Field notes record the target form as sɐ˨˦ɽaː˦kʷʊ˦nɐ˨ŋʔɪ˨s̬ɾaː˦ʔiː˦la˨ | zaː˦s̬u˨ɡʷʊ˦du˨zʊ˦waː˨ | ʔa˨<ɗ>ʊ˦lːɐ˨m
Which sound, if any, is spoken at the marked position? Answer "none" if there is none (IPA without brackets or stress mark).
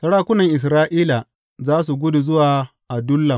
d